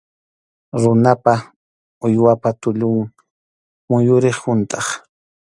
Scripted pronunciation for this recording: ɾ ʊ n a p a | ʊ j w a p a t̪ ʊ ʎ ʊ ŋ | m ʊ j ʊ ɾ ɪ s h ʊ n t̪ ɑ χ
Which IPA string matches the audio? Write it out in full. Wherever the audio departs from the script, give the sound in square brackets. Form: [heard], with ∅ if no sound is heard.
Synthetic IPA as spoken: ɾ ʊ n a p a | ʊ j w a p a t̪ ʊ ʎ ʊ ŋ | m ʊ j ʊ ɾ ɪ [χ] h ʊ n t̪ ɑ χ